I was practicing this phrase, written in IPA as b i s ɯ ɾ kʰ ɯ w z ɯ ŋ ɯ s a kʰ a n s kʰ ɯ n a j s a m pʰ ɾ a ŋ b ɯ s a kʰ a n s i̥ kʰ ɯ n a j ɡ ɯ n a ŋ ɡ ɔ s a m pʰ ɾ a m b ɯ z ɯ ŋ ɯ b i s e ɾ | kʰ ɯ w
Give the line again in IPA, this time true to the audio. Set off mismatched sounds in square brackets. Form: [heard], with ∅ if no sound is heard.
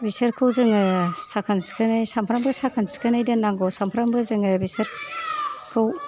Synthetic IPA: b i s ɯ ɾ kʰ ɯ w z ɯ ŋ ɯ s a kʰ a n s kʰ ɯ n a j s a m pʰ ɾ a [m] b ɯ s a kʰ a n s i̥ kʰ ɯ n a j [d] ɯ n a ŋ ɡ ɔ s a m pʰ ɾ a m b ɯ z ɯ ŋ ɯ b i s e ɾ | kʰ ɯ w